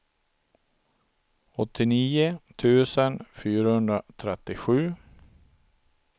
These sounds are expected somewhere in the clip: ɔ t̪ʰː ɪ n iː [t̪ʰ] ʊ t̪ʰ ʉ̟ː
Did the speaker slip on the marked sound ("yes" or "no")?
yes